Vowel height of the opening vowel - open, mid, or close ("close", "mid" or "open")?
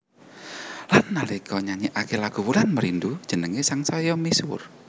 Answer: open